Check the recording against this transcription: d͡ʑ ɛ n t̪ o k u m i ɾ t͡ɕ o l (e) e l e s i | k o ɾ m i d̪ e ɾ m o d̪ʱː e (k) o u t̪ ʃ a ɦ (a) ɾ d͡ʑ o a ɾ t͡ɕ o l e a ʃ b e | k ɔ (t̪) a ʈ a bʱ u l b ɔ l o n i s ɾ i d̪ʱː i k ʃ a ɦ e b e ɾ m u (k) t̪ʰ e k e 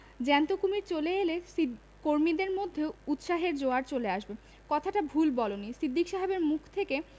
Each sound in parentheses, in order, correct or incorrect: correct, incorrect, incorrect, incorrect, incorrect

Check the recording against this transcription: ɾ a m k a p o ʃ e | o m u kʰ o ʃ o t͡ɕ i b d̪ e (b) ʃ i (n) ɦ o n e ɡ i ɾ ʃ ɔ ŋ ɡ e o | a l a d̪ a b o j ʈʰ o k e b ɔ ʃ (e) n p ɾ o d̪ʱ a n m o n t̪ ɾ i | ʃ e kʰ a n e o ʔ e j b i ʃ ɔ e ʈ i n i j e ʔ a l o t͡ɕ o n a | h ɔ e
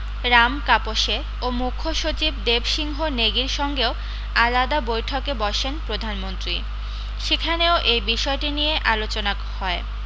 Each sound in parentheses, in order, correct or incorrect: correct, incorrect, correct

